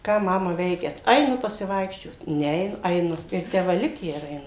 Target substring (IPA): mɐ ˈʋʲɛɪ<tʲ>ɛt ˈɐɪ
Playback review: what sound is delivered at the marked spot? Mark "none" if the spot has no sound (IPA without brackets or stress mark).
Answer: kʲ